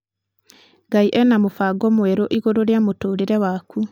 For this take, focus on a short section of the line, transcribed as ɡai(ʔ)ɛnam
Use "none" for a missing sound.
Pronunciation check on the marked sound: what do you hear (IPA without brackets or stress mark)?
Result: ʔ